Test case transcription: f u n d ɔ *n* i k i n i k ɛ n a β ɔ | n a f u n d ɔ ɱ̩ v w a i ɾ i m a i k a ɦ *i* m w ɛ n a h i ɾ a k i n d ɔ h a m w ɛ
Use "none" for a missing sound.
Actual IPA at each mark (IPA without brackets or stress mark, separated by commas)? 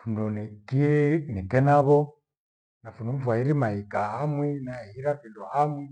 n, a